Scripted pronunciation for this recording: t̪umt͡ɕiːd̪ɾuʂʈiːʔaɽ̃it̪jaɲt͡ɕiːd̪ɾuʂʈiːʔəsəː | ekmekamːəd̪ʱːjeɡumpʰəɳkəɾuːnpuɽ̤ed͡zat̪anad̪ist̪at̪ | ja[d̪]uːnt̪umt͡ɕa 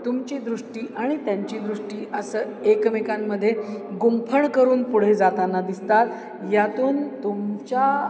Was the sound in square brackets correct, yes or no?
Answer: no